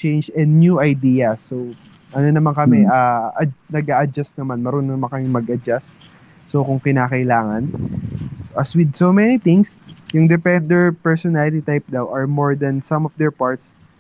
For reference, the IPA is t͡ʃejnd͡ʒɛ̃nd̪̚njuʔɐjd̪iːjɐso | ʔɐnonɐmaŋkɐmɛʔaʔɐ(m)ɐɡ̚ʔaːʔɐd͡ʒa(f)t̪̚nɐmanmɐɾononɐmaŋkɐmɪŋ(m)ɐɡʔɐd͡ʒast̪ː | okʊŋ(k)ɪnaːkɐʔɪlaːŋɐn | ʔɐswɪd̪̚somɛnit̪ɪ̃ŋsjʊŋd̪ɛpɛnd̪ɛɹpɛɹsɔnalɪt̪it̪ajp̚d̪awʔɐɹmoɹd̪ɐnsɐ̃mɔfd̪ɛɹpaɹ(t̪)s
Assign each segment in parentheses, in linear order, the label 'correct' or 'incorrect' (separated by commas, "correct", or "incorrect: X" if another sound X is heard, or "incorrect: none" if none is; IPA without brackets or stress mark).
incorrect: n, incorrect: s, correct, correct, correct